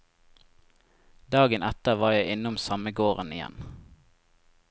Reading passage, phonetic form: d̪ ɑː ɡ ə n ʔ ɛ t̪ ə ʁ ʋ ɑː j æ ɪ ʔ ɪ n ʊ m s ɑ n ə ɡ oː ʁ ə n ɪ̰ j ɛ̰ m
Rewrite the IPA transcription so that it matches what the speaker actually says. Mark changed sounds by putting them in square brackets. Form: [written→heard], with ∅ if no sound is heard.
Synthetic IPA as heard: d̪ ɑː ɡ ə n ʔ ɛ t̪ ə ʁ ʋ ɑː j æ ɪ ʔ ɪ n ʊ m s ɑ [n→m] ə ɡ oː ʁ ə n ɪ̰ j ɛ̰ [m→n]